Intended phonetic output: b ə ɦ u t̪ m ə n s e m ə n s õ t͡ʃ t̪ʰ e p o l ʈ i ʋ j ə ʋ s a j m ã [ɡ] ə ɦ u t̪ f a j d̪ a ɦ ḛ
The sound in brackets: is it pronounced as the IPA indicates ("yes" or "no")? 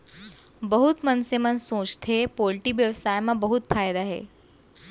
no